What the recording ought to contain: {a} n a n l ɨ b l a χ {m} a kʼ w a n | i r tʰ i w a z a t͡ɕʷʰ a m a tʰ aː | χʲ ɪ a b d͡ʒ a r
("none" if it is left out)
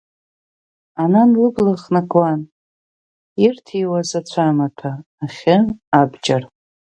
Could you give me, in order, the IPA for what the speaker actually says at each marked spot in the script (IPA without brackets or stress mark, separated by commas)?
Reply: a, n